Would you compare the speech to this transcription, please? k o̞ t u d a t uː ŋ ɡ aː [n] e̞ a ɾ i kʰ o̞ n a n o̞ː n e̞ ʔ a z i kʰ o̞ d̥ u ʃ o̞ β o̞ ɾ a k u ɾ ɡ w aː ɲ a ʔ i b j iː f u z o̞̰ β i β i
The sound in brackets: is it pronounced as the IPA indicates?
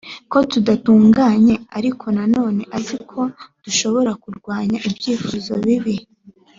no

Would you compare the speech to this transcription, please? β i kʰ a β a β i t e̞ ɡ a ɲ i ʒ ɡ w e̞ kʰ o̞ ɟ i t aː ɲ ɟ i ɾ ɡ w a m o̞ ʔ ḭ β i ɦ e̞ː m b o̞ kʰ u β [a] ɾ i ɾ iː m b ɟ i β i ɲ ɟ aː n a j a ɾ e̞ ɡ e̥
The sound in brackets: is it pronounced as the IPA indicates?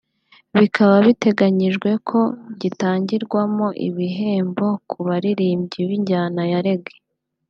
yes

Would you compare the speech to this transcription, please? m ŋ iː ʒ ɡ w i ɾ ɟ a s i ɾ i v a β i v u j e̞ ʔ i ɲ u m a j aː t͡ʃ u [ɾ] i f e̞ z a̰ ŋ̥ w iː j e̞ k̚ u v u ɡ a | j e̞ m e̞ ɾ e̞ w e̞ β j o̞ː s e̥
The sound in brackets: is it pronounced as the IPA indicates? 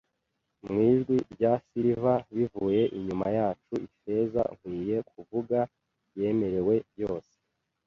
no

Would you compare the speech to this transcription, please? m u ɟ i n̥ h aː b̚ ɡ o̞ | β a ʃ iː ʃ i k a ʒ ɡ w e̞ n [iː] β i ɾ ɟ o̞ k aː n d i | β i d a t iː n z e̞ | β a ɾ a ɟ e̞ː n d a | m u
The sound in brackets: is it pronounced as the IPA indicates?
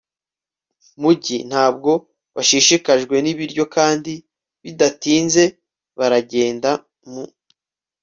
no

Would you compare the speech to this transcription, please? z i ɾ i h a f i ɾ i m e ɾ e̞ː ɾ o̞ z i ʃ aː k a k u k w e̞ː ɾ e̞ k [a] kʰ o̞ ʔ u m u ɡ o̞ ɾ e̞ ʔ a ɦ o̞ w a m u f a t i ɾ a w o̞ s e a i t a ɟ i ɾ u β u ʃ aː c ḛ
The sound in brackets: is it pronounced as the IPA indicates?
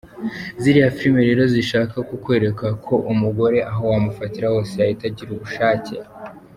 yes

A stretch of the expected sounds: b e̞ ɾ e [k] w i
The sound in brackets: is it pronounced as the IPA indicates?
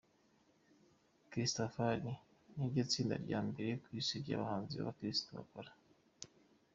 yes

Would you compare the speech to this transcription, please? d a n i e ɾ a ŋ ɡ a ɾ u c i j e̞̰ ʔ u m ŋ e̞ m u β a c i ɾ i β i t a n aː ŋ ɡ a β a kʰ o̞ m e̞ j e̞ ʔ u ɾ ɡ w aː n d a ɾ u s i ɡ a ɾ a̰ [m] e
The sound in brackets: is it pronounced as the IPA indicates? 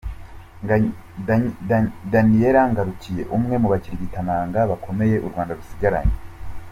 no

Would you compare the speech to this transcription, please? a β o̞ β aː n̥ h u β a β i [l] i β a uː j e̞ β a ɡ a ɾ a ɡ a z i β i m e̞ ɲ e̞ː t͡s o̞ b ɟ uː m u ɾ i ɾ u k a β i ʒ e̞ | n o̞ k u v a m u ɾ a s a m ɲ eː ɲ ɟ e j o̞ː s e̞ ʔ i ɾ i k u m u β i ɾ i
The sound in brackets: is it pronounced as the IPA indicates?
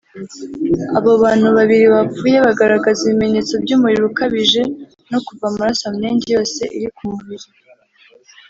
no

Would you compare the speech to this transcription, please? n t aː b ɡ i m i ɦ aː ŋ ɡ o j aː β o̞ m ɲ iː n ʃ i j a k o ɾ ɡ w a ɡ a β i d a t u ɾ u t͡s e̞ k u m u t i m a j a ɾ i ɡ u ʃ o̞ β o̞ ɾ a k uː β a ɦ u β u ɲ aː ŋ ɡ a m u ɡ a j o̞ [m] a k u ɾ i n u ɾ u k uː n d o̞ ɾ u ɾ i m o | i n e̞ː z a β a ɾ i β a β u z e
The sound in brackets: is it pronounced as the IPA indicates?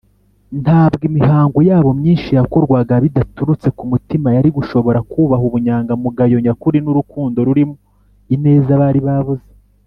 no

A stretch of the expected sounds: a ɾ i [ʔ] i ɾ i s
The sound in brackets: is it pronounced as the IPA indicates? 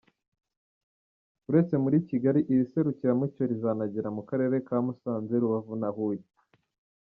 yes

